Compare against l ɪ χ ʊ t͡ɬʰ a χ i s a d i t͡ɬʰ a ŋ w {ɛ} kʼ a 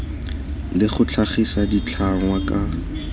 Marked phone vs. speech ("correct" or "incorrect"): incorrect